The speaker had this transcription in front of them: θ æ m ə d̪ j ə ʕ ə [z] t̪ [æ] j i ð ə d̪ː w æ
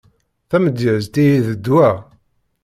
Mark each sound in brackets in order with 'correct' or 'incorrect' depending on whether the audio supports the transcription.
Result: correct, incorrect: i

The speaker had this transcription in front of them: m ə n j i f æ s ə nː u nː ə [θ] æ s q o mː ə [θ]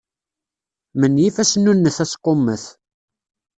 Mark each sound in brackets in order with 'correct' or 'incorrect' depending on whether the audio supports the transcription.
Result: correct, correct

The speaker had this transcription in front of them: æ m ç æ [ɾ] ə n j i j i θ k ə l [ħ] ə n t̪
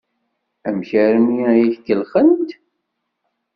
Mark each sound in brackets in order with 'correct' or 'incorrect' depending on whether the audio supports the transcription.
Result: correct, incorrect: χ

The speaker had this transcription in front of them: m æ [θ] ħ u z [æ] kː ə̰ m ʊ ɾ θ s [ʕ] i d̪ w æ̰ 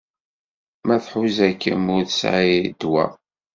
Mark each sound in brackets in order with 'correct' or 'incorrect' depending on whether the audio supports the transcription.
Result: correct, correct, correct

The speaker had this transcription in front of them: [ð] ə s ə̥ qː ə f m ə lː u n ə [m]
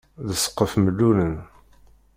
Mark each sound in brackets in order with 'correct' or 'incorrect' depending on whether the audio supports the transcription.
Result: correct, incorrect: n

